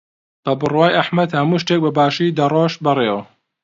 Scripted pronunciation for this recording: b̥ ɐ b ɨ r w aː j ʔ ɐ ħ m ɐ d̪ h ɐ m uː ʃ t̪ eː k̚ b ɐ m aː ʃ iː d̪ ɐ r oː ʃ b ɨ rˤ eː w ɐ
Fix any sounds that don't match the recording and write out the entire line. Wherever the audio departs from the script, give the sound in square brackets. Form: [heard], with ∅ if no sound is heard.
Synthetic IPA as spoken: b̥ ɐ b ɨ r w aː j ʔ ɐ ħ m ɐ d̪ h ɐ m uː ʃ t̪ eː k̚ b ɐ [b] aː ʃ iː d̪ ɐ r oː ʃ b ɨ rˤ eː w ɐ